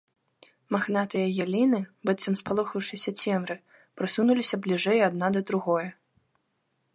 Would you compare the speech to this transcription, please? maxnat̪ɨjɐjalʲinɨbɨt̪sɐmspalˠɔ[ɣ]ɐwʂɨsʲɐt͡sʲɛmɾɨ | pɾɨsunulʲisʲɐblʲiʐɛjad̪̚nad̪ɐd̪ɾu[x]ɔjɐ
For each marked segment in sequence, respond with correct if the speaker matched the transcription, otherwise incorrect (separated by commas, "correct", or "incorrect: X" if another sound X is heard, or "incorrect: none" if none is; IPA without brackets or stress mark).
incorrect: x, incorrect: ɣ